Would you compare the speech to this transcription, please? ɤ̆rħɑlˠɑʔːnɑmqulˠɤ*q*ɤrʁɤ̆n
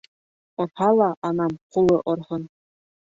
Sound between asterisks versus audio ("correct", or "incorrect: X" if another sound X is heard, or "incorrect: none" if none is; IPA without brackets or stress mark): incorrect: ʔ